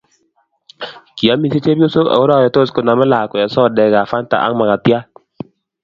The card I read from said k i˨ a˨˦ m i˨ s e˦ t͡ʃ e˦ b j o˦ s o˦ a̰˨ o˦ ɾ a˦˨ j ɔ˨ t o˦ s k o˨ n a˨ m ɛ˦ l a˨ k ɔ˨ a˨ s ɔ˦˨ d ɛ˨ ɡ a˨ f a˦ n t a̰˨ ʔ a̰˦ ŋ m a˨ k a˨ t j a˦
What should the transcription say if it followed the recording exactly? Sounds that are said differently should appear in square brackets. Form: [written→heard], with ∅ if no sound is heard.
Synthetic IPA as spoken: k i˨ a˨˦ m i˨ s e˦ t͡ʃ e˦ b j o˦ s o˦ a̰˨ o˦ ɾ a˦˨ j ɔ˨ t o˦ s k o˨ n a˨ m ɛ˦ l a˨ k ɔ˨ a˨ s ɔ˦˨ d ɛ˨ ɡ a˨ f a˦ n t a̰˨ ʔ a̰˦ ŋ m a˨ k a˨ t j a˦